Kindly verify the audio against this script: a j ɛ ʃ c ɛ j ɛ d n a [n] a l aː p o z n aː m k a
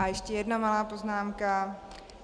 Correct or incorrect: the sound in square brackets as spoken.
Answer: incorrect: m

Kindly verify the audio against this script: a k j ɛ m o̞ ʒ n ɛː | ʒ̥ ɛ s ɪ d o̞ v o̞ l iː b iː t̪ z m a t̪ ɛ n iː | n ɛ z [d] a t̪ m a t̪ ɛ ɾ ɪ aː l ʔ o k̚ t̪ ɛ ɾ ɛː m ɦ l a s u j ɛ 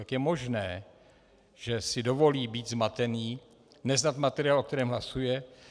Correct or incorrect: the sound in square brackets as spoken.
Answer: incorrect: n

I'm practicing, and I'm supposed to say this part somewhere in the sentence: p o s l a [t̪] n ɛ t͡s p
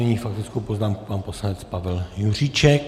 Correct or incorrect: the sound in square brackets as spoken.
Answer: incorrect: none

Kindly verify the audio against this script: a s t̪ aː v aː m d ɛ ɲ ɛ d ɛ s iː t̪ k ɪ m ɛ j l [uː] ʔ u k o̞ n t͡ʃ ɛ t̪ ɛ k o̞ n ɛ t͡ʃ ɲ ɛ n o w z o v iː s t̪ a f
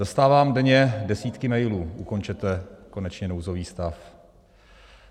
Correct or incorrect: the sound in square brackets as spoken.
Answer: correct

